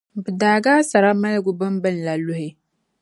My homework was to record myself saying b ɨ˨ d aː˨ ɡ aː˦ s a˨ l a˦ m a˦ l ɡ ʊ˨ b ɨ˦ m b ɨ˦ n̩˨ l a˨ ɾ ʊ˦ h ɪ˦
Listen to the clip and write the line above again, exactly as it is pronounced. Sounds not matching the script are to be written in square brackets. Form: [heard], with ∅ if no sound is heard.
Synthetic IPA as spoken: b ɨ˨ d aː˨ ɡ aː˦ s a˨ [ɾ] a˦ m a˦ l ɡ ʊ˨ b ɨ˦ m b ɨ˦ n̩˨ l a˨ [l] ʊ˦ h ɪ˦